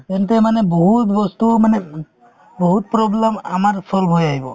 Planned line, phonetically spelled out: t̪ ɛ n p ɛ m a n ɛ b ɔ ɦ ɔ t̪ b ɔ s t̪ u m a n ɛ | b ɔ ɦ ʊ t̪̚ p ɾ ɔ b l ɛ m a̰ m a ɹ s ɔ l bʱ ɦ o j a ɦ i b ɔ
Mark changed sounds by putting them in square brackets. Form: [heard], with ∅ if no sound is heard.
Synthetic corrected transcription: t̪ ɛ n [t] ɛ m a n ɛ b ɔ ɦ [u] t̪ b ɔ s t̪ u m a n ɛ | b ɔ ɦ [u] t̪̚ p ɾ ɔ b l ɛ m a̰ m a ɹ s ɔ l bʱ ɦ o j a ɦ i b ɔ